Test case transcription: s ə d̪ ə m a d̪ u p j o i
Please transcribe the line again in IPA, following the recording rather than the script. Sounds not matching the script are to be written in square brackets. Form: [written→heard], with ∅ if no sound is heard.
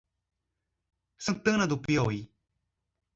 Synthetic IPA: s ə [d̪→t̪] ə [m→n] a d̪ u p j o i